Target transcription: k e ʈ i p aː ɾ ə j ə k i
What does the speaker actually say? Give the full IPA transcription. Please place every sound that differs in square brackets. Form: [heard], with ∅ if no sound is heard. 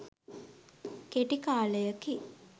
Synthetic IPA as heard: k e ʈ i [k] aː [l] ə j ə k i